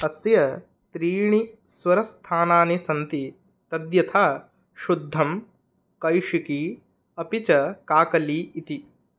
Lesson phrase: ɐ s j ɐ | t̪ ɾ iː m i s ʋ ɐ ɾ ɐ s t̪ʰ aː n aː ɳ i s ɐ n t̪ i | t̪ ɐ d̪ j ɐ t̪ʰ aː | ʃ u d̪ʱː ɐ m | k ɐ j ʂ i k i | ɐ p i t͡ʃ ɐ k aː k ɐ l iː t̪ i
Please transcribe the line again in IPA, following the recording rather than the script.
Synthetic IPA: ɐ s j ɐ | t̪ ɾ iː ɳ i s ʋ ɐ ɾ ɐ s t̪ʰ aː n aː n i s ɐ n t̪ i | t̪ ɐ d̪ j ɐ t̪ʰ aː | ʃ u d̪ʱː ɐ m | k ɐ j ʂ i k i | ɐ p i t͡ʃ ɐ k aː k ɐ l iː t̪ i